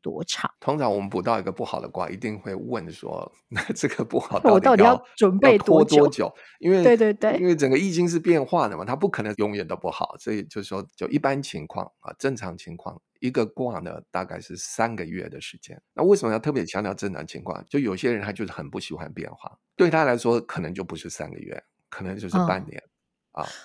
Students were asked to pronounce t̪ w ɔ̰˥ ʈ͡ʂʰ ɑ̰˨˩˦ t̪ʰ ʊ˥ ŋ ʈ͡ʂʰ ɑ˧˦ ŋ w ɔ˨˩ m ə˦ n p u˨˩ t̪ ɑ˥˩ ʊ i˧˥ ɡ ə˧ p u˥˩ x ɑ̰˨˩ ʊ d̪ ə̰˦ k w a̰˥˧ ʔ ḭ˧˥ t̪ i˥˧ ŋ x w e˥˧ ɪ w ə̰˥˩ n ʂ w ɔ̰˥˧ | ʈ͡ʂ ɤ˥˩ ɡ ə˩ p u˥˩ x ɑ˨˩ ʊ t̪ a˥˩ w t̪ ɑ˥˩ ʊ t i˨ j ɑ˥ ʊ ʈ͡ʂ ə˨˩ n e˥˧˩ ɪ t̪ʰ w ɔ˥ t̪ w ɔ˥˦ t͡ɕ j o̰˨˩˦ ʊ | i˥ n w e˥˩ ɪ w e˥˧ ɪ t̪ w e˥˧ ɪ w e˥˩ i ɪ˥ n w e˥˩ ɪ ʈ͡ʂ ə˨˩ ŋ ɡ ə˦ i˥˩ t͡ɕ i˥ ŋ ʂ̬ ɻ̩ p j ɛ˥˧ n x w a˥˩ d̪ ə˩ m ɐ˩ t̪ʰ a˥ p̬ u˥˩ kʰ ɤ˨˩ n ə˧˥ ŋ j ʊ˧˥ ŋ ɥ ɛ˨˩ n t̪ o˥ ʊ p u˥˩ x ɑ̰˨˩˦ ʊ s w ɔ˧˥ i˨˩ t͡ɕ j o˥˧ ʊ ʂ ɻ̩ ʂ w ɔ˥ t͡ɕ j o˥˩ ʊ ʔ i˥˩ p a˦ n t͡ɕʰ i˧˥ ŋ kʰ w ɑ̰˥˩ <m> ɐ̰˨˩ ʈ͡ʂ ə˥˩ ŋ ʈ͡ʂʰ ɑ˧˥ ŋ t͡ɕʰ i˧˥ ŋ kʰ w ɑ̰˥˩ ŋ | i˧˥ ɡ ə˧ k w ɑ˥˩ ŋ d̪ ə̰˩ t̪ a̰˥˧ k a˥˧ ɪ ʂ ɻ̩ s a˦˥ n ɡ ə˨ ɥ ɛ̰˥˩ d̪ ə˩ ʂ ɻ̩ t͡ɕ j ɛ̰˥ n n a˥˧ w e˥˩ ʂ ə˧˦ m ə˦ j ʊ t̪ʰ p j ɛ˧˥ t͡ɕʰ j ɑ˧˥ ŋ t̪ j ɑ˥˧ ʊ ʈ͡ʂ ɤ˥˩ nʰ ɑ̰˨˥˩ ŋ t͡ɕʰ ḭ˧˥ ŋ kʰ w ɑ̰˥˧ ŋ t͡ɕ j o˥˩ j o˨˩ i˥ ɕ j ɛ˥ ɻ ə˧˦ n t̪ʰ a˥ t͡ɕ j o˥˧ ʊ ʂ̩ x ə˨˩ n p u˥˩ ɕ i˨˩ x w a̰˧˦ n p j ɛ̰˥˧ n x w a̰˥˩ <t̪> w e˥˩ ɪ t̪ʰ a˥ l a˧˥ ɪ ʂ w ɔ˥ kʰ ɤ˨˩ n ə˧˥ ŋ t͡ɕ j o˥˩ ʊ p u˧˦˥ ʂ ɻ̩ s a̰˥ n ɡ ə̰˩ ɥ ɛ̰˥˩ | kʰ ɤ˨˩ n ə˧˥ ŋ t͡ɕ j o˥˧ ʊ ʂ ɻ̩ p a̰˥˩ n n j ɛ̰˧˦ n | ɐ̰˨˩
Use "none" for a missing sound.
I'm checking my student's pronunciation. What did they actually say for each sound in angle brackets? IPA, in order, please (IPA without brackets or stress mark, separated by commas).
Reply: ŋ, t̪